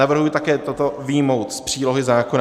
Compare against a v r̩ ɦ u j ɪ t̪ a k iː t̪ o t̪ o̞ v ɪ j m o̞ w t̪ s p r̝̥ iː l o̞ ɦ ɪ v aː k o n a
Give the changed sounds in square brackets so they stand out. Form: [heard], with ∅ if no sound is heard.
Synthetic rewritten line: a v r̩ ɦ u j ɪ t̪ a k [ɛː] t̪ o t̪ o̞ v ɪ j m o̞ w t̪ s p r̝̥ iː l o̞ ɦ ɪ [z] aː k o n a